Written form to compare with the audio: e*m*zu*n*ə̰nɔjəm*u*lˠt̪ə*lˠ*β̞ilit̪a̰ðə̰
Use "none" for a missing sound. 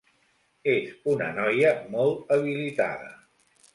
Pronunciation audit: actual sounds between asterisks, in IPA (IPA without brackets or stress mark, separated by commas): none, n, ɔ, none